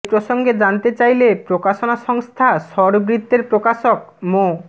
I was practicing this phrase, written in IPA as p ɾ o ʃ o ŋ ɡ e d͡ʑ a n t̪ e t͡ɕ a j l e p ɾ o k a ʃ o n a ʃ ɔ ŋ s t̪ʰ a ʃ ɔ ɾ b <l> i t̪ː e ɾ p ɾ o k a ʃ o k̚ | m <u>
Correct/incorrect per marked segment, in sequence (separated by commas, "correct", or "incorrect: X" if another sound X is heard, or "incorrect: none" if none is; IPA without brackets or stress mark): incorrect: ɾ, incorrect: o